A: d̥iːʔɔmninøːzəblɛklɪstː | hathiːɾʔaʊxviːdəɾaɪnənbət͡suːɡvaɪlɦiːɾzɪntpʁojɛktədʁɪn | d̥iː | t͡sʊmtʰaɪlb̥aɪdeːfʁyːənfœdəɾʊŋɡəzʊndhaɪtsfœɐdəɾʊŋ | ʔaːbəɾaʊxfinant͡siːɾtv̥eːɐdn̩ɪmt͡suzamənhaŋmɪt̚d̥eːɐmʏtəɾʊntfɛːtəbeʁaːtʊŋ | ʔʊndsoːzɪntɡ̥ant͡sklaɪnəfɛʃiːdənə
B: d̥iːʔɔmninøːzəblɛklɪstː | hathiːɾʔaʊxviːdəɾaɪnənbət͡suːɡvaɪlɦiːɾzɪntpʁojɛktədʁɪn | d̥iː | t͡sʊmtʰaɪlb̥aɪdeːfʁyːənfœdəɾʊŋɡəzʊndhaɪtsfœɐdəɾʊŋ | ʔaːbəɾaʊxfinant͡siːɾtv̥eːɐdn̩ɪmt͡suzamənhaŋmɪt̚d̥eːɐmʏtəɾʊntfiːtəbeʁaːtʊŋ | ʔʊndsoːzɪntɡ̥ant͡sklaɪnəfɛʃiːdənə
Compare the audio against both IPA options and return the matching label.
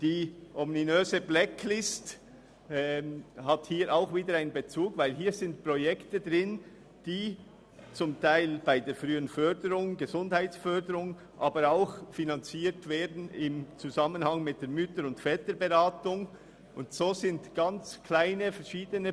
A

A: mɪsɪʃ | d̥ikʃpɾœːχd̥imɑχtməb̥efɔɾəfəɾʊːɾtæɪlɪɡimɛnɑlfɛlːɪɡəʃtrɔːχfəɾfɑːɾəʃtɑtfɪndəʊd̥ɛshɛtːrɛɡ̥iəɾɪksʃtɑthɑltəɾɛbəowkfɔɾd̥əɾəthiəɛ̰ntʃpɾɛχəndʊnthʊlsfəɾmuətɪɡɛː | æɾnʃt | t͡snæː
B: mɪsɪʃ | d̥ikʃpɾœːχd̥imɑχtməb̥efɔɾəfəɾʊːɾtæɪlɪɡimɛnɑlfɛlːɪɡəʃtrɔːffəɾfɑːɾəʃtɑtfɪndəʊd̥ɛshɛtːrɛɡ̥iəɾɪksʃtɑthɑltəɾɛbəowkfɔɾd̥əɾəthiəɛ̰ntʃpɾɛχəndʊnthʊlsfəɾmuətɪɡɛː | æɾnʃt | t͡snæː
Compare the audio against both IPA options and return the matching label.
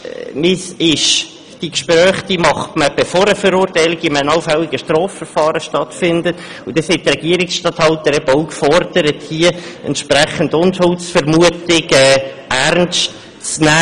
B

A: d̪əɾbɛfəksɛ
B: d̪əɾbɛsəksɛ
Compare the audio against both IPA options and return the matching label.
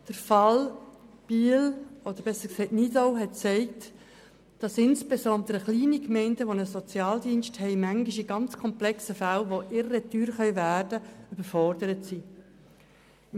B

